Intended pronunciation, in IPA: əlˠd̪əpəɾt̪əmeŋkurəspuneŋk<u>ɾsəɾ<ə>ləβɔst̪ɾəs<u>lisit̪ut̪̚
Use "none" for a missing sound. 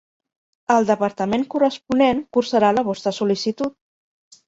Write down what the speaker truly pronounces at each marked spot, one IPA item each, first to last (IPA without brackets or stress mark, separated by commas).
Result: u, a, u